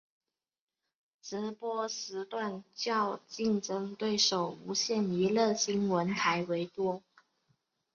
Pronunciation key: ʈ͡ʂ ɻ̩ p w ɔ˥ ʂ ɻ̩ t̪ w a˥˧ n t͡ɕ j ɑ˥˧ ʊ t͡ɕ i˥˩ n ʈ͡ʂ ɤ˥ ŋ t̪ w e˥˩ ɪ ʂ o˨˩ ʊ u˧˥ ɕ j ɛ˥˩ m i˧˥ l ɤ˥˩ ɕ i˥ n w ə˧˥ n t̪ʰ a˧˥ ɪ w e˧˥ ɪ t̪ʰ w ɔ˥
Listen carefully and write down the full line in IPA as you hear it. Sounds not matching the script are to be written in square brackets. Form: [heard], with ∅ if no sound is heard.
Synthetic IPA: ʈ͡ʂ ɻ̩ p w ɔ˥ ʂ ɻ̩ t̪ w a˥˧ n t͡ɕ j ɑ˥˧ ʊ t͡ɕ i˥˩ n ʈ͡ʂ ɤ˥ ŋ t̪ w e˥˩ ɪ ʂ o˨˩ ʊ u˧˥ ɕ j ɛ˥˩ [n] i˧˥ l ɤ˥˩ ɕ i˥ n w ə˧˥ n t̪ʰ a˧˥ ɪ w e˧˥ ɪ [t̪] w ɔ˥